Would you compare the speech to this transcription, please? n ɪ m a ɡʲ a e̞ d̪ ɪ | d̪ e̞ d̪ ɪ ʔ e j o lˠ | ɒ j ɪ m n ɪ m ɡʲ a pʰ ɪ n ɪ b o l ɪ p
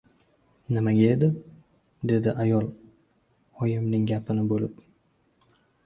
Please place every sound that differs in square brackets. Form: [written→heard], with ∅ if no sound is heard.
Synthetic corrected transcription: n ɪ m a ɡʲ a e̞ d̪ ɪ | d̪ e̞ d̪ ɪ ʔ [e→a] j [o→ɒ] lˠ | ɒ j ɪ m n ɪ [m→ŋ] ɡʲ a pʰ ɪ n ɪ b o l ɪ p